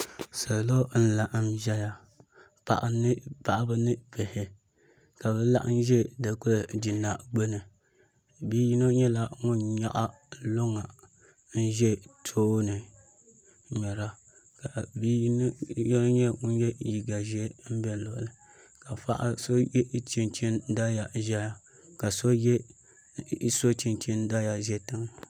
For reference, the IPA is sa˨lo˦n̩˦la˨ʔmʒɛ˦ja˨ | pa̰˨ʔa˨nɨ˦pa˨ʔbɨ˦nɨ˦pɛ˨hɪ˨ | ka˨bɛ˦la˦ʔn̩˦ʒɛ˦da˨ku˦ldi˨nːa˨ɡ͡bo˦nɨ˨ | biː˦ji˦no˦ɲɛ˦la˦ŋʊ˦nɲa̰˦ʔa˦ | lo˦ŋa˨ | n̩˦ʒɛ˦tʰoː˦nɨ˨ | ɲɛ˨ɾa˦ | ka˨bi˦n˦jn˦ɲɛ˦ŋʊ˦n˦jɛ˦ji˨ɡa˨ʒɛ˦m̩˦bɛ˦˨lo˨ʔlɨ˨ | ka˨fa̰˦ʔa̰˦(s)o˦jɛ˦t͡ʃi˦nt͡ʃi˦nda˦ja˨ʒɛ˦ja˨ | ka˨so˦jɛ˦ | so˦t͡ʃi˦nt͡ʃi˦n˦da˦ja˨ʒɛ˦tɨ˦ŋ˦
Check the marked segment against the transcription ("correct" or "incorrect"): correct